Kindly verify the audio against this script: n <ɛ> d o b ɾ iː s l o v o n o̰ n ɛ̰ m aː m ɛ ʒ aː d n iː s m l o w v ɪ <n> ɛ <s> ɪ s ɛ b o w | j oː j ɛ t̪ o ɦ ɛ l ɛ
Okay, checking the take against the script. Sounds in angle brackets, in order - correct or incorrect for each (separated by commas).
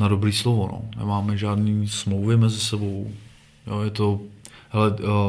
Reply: incorrect, incorrect, incorrect